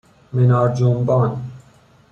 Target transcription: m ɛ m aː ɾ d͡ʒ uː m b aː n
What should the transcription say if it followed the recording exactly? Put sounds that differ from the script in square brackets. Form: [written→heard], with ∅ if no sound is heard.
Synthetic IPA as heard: m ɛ [m→n] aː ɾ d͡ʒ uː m b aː n